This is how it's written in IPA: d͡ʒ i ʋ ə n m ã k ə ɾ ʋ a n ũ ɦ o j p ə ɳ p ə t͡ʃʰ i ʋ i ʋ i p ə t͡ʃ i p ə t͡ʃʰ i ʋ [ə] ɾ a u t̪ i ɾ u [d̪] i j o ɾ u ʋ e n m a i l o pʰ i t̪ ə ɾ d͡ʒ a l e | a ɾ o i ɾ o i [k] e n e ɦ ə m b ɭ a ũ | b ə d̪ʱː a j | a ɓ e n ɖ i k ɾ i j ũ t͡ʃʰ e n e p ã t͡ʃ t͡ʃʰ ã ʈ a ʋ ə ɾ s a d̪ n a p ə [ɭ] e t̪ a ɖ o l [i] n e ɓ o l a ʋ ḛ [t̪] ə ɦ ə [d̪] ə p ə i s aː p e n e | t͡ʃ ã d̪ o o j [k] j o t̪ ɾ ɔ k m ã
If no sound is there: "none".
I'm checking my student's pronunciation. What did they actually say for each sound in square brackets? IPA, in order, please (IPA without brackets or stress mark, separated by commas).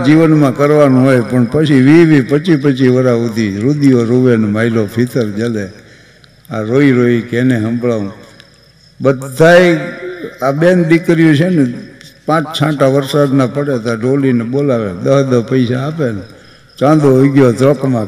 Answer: ə, d̪, k, ɽ, i, d̪, d̪, ɡ